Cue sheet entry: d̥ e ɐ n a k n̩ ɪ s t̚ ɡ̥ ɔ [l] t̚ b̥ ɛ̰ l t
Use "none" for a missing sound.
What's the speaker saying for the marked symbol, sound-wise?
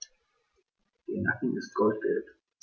l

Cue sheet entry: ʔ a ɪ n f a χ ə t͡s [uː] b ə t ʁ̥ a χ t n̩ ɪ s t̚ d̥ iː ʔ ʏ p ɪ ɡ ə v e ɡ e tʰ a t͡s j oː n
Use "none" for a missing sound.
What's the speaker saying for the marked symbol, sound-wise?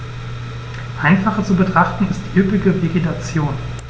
u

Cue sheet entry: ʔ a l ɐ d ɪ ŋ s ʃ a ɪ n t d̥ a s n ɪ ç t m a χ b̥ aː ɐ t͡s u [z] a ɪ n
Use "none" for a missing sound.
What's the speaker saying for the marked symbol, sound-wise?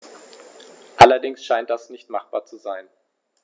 z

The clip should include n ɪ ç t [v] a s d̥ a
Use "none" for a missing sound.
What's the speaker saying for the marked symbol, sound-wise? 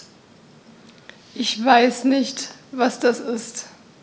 v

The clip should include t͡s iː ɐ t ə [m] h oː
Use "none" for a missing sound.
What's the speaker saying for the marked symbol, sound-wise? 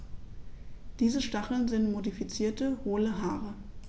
none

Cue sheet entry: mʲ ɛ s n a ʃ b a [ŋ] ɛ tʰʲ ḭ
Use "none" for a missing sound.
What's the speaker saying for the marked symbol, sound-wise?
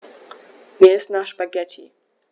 ɡ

